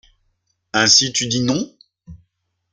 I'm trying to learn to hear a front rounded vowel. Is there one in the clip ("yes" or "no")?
yes